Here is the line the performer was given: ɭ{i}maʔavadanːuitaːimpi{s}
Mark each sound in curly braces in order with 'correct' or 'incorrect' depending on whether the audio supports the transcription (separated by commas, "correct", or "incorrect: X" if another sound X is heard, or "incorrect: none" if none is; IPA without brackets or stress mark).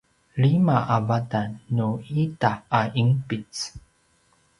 correct, incorrect: t͡s